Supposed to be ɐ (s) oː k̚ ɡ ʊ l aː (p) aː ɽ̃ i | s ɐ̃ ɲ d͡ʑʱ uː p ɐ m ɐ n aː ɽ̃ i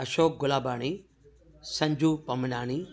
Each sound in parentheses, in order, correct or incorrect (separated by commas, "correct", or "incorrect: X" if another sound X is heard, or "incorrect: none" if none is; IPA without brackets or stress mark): incorrect: ʃ, incorrect: b